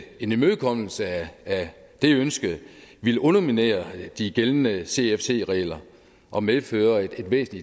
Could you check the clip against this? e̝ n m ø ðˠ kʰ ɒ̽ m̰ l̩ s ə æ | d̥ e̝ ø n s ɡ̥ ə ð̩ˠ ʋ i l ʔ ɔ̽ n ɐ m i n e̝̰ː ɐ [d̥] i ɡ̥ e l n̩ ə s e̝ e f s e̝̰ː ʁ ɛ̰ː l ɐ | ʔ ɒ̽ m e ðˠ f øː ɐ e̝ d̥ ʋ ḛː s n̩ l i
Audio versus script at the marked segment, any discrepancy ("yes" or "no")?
no